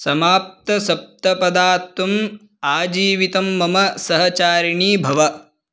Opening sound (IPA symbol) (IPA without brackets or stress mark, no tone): s